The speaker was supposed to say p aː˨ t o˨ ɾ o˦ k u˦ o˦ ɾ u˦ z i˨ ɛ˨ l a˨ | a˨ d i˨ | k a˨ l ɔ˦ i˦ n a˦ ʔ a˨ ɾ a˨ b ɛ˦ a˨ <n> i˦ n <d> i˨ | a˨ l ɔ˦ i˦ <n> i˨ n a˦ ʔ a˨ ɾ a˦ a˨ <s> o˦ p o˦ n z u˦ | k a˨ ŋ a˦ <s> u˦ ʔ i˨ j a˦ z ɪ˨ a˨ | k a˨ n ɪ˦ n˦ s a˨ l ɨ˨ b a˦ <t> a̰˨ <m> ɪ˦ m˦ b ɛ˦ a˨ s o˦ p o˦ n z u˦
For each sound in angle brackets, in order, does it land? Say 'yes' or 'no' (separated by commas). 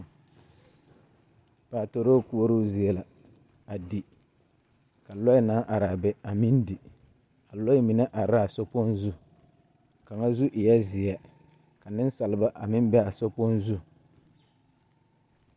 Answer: no, yes, no, yes, no, no, yes